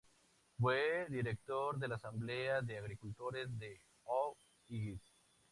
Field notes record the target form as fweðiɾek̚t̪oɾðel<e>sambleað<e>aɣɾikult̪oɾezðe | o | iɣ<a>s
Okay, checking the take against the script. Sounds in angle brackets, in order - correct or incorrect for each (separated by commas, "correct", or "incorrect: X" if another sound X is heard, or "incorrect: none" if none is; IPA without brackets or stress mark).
incorrect: a, correct, incorrect: i